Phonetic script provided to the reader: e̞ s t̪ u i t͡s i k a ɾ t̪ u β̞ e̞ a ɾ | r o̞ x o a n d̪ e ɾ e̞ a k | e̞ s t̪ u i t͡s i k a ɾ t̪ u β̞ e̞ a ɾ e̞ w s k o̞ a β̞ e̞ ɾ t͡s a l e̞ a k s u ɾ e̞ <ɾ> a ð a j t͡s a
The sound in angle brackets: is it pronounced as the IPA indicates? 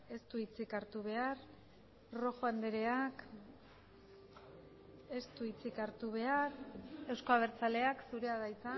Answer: no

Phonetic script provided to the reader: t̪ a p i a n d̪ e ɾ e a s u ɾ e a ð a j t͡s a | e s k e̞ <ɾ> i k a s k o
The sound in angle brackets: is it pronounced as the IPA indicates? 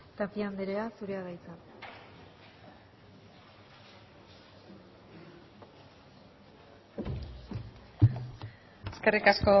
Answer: no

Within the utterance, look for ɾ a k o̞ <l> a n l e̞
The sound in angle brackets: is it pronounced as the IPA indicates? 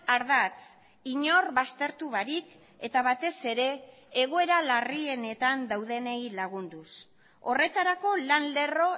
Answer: yes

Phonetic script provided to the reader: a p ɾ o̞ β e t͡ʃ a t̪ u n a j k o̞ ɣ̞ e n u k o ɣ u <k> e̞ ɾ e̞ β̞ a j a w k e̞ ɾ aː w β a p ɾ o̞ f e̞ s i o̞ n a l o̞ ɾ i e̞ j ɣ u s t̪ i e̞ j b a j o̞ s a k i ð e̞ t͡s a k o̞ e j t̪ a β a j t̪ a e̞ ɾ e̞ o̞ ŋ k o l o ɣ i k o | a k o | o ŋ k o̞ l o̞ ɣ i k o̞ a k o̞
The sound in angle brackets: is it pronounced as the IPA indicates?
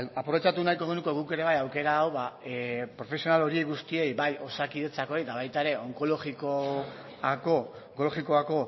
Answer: yes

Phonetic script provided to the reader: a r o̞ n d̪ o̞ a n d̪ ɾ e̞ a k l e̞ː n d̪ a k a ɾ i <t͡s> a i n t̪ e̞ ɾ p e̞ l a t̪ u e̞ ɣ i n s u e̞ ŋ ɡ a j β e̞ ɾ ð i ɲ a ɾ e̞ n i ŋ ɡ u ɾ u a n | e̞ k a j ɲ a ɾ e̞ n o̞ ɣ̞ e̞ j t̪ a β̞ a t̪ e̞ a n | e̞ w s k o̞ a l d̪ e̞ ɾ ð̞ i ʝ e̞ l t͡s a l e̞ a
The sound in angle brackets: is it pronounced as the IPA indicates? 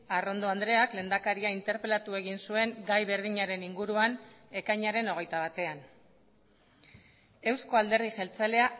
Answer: no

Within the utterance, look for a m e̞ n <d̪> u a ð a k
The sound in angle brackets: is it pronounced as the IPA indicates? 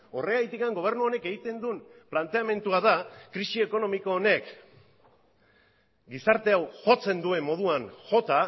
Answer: no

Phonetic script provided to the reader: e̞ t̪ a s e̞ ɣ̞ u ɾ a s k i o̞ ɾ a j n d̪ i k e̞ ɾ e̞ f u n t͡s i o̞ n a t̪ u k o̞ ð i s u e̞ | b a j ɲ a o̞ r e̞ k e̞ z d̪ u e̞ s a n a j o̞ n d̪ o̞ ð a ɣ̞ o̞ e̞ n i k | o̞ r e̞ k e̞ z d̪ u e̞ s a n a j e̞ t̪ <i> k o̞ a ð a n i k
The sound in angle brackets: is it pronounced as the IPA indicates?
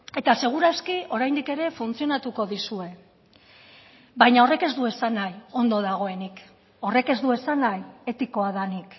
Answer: yes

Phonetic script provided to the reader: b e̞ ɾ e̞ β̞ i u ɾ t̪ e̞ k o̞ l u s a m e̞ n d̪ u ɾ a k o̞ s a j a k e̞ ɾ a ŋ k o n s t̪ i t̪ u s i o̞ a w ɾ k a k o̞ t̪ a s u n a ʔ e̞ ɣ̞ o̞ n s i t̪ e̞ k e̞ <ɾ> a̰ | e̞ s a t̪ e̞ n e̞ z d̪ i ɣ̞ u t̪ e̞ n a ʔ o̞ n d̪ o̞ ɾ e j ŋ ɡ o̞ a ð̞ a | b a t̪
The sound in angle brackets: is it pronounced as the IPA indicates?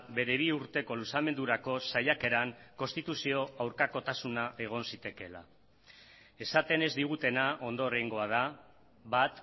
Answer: no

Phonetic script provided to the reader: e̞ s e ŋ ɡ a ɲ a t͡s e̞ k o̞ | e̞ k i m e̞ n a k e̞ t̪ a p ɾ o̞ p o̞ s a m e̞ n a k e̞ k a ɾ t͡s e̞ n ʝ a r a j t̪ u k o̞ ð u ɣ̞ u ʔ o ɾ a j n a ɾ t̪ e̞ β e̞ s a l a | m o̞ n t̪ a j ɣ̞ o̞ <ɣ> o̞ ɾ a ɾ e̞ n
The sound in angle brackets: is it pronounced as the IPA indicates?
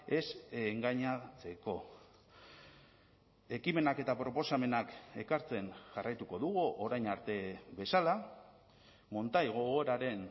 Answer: yes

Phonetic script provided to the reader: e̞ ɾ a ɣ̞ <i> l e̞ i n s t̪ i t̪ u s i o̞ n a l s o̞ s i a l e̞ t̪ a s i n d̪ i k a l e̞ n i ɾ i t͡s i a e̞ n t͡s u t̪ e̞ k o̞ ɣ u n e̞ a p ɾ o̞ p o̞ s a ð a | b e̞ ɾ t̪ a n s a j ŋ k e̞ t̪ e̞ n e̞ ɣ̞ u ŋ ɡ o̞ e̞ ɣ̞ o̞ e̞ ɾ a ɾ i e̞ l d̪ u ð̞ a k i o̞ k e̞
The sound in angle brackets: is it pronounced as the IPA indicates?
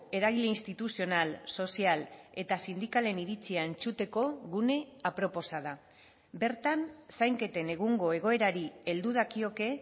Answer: yes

